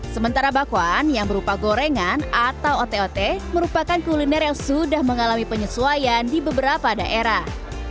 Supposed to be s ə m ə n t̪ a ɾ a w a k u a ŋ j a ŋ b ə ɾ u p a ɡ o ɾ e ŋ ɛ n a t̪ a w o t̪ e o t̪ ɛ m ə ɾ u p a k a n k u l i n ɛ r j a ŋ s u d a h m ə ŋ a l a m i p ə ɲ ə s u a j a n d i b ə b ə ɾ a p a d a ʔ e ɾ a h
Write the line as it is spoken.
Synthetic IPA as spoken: s ə m ə n t̪ a ɾ a b a k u a n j a ŋ b ə ɾ u p a ɡ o ɾ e ŋ a n a t̪ a w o t̪ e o t̪ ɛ m ə ɾ u p a k a n k u l i n ɛ r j a ŋ s u d a h m ə ŋ a l a m i p ə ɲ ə s u a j a n d i b ə b ə ɾ a p a d a ʔ e ɾ a h